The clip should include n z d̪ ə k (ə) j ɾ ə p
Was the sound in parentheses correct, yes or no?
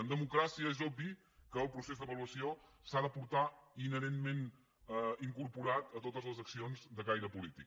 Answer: no